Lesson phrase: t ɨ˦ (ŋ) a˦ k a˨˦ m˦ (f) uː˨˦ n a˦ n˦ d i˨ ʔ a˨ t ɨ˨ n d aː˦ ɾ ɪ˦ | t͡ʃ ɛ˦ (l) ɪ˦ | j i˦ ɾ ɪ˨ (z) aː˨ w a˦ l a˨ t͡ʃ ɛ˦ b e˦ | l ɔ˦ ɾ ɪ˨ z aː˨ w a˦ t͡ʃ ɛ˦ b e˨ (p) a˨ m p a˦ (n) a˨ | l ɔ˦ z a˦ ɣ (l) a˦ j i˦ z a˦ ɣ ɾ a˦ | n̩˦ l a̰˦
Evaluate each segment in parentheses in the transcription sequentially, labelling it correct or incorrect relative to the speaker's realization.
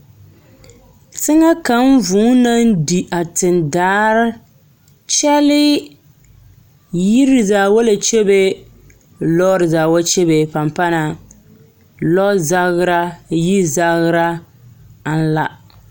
correct, incorrect: v, correct, correct, correct, correct, incorrect: ɾ

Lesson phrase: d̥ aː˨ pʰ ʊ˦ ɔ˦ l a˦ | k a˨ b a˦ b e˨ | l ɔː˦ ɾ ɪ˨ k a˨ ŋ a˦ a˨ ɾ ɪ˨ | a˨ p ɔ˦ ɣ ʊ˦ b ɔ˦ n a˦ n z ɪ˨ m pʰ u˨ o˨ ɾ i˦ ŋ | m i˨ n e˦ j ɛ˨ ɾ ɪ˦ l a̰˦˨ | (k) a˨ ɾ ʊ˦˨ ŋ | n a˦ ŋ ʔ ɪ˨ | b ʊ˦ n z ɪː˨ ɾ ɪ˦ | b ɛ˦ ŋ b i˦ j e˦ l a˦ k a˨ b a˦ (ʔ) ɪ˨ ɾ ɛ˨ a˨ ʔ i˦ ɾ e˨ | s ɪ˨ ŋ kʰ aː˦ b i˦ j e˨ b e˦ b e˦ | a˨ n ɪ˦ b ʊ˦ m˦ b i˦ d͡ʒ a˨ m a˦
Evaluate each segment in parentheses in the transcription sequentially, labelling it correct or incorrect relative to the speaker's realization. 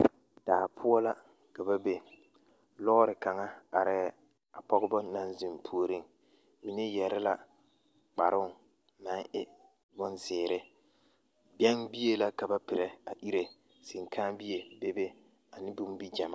incorrect: k͡p, incorrect: p

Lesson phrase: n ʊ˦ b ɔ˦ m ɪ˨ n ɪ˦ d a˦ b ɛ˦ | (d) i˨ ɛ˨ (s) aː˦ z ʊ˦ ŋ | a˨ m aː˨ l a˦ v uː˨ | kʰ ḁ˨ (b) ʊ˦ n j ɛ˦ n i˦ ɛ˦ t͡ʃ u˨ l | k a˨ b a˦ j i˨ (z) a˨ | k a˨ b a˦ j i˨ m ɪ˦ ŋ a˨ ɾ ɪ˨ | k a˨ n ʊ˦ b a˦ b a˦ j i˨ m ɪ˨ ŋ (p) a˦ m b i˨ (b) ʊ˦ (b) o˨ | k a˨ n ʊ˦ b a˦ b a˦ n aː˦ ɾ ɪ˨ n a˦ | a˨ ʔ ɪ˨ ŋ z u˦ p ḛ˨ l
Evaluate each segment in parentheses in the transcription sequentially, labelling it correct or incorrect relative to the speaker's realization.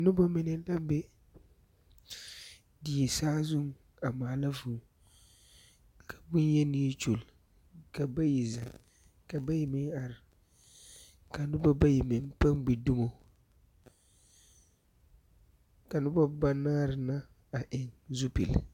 correct, correct, correct, correct, correct, incorrect: d, incorrect: m

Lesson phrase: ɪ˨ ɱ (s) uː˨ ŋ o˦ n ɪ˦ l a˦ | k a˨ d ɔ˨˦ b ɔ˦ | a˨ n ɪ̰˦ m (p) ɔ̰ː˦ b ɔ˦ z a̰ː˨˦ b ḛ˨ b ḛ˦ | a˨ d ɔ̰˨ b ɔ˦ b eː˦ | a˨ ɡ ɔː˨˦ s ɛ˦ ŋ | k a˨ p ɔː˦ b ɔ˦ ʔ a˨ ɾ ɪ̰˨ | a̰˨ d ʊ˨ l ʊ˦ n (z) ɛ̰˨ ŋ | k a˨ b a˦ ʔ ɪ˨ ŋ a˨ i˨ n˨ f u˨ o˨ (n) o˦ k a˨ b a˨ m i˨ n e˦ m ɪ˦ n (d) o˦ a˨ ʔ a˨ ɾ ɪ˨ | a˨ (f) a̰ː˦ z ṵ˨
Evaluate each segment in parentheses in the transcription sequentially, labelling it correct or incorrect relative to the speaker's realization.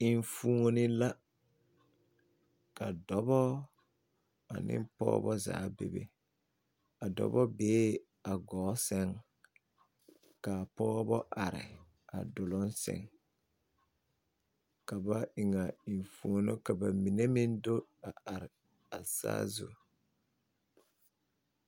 incorrect: f, correct, incorrect: s, correct, correct, incorrect: s

